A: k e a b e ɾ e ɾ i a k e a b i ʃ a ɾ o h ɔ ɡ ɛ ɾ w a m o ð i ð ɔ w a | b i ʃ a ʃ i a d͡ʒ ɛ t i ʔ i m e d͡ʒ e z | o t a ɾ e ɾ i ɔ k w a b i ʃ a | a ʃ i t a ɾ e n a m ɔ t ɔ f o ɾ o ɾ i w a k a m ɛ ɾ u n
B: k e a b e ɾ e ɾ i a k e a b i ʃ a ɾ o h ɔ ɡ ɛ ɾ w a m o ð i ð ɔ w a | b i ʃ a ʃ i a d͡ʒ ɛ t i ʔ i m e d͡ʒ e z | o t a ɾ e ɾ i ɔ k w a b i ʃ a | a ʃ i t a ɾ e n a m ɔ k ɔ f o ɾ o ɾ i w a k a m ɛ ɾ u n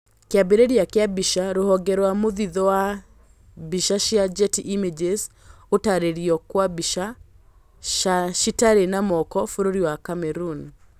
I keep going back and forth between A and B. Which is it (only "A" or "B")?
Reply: B